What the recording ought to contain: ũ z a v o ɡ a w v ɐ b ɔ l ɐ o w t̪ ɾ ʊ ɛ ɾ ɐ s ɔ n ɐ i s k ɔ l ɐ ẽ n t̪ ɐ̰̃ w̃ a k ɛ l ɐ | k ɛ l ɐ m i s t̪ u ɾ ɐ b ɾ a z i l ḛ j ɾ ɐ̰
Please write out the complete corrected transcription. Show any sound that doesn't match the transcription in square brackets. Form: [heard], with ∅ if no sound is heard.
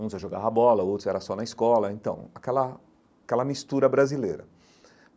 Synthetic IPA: ũ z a [ʒ] o ɡ a [∅] v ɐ b ɔ l ɐ o w t̪ ɾ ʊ ɛ ɾ ɐ s ɔ n ɐ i s k ɔ l ɐ ẽ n t̪ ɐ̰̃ w̃ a k ɛ l ɐ | k ɛ l ɐ m i s t̪ u ɾ ɐ b ɾ a z i l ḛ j ɾ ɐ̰